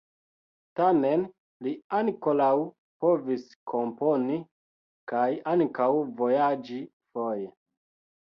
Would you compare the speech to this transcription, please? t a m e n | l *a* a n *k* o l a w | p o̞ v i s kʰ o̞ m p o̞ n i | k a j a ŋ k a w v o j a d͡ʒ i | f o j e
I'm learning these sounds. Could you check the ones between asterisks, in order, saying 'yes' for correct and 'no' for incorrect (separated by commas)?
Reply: no, yes